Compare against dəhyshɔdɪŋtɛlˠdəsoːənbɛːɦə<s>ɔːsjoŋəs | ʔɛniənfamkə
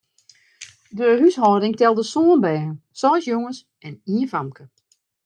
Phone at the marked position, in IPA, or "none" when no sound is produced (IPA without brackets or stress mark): s